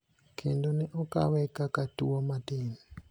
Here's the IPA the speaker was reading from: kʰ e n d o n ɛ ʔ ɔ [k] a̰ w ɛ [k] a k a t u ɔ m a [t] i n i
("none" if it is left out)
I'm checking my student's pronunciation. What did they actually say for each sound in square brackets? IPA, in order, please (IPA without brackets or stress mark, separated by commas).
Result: k, k, t